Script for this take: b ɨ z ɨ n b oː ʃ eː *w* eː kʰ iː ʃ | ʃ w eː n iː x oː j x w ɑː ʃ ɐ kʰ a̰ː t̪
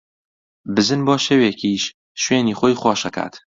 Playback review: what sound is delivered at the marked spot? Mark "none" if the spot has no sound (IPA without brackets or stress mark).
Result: w